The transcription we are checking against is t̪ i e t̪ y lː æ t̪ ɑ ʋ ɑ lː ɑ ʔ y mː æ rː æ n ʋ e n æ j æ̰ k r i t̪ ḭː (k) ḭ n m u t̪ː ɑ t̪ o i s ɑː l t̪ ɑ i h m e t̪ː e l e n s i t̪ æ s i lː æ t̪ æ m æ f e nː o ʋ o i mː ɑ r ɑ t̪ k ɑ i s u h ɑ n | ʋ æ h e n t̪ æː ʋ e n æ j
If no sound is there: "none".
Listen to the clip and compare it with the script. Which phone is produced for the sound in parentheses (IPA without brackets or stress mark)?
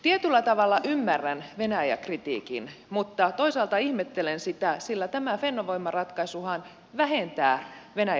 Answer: k